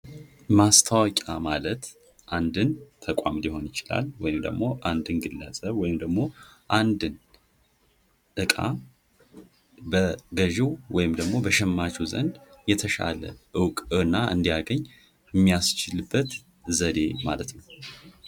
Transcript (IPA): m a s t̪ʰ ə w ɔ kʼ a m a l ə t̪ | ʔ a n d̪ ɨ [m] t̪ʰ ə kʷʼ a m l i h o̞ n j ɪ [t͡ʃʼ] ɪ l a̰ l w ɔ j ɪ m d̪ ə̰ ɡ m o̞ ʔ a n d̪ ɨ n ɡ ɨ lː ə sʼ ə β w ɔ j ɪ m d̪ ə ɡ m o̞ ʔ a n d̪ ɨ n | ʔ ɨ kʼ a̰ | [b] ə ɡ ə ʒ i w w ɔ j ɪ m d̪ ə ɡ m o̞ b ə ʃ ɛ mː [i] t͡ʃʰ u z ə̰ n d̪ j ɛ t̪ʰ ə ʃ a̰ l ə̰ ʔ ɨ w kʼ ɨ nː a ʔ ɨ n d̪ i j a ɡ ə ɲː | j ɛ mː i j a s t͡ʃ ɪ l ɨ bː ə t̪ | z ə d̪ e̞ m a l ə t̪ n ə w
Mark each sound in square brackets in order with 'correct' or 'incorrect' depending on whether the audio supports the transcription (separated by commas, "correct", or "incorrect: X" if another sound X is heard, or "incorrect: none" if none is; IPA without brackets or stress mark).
incorrect: n, incorrect: t͡ʃ, correct, incorrect: a